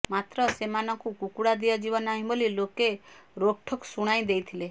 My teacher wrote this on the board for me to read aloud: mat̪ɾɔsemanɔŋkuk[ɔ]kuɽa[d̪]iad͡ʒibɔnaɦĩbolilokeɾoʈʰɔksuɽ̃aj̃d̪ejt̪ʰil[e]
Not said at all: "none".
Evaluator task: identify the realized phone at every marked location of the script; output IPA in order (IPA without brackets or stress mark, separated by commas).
u, d̪, e